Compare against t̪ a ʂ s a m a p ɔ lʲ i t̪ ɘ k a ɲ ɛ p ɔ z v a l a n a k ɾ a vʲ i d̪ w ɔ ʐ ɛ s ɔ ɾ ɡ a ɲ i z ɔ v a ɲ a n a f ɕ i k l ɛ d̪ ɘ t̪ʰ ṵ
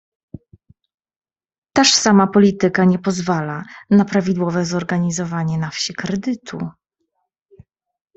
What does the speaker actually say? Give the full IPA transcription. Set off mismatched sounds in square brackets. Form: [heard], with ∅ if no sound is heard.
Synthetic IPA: t̪ a ʂ s a m a p ɔ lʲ i t̪ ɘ k a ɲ ɛ p ɔ z v a l a n a [p] ɾ a vʲ i d̪ w ɔ [v] ɛ [z] ɔ ɾ ɡ a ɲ i z ɔ v a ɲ [ɛ] n a f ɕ i k [ɾ] ɛ d̪ ɘ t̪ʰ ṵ